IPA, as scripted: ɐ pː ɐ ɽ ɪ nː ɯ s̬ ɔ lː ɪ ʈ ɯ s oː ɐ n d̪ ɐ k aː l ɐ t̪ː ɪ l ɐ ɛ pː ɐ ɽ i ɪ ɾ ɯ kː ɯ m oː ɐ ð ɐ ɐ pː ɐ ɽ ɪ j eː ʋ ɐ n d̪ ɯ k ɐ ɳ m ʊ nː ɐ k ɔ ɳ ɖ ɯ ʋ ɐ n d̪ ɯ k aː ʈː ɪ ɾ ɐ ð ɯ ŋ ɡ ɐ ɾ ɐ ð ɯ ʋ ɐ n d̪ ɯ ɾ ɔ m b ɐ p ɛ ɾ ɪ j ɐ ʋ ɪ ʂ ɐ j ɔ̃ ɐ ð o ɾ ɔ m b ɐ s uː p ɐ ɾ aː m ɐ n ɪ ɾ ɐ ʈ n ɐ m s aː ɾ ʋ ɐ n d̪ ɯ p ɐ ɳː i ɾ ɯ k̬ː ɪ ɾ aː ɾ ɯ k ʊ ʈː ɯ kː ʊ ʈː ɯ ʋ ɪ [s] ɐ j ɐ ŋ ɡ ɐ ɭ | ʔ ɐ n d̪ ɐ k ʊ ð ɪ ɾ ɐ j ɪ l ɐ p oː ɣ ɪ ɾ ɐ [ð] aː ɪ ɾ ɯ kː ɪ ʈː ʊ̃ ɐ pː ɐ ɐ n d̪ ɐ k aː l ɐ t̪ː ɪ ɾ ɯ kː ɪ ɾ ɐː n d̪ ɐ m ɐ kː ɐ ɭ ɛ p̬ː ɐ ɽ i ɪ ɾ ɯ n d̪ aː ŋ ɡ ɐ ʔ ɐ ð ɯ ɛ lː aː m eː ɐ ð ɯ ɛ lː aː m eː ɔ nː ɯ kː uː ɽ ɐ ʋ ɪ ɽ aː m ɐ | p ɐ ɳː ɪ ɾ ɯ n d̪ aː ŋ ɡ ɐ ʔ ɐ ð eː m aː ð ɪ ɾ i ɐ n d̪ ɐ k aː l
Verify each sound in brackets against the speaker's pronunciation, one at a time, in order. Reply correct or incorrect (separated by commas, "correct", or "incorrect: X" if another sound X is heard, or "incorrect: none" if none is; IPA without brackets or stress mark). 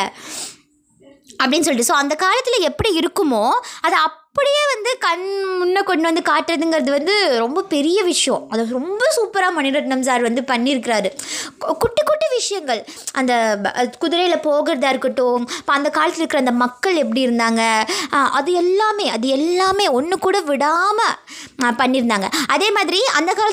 incorrect: ʂ, correct